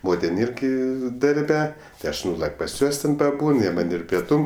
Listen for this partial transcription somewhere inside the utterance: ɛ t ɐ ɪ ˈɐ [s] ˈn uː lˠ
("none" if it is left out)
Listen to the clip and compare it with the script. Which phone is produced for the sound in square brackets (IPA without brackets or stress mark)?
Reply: ʃ